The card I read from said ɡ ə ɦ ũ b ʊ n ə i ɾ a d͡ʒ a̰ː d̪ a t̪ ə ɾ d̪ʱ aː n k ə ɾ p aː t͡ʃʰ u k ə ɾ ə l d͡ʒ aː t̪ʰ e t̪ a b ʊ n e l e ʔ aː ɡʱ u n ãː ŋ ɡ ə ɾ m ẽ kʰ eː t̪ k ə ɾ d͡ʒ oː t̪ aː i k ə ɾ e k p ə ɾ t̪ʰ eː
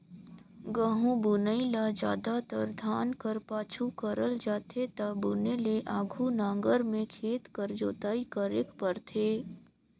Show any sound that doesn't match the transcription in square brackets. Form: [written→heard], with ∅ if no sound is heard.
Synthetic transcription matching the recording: ɡ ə ɦ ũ b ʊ n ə i [ɾ→l] a d͡ʒ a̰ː d̪ a t̪ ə ɾ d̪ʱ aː n k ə ɾ p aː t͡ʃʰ u k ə ɾ ə l d͡ʒ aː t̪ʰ e t̪ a b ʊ n e l e ʔ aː ɡʱ u n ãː ŋ ɡ ə ɾ m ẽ kʰ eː t̪ k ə ɾ d͡ʒ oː t̪ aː i k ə ɾ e k p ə ɾ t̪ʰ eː